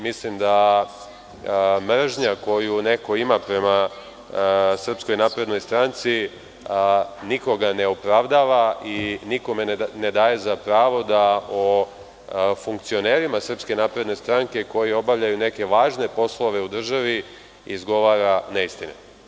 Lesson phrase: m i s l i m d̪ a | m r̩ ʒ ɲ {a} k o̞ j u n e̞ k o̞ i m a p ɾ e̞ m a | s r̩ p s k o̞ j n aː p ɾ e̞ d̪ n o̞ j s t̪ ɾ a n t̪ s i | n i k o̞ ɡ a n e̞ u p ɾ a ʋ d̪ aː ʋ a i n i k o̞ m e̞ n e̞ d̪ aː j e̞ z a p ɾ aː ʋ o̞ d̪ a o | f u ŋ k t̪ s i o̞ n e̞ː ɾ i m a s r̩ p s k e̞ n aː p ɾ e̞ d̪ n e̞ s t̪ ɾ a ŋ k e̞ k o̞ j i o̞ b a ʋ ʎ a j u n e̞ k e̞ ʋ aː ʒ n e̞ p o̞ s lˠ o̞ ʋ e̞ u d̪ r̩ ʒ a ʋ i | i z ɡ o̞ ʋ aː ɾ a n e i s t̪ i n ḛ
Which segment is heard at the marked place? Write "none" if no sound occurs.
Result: a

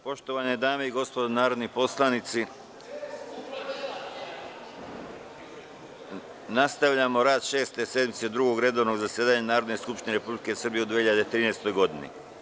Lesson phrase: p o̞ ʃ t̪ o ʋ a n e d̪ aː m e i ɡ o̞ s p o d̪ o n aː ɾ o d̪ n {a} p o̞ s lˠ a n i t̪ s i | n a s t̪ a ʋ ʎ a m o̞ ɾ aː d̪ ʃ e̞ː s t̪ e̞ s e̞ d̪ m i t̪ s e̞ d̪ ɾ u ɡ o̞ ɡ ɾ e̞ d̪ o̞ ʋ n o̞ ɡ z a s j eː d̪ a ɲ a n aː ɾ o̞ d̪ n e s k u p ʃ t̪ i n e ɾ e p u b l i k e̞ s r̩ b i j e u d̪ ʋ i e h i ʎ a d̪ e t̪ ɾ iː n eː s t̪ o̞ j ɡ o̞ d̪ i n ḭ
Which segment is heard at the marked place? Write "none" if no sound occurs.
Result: i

